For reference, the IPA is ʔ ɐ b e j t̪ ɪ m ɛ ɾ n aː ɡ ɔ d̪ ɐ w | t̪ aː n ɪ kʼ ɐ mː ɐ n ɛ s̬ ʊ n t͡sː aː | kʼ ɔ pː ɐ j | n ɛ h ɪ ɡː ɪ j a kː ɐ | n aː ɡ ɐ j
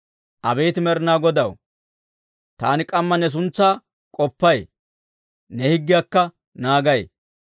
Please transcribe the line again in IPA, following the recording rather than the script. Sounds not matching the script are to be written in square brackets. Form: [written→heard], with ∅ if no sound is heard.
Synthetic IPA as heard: ʔ ɐ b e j t̪ ɪ m ɛ ɾ n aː ɡ ɔ d̪ ɐ w | t̪ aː n ɪ kʼ ɐ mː ɐ n ɛ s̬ ʊ n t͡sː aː | kʼ ɔ pː ɐ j | n ɛ h ɪ ɡː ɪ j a kː ɐ | n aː ɡ ɐ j